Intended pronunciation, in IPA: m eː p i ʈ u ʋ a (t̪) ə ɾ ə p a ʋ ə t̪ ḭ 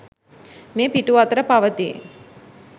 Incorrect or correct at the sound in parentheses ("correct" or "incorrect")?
correct